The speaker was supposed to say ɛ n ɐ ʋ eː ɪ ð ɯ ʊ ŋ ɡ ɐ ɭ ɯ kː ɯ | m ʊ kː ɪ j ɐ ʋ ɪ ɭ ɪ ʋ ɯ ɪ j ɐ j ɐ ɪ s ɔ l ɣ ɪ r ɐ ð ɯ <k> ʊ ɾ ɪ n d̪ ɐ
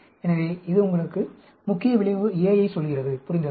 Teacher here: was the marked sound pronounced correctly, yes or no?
no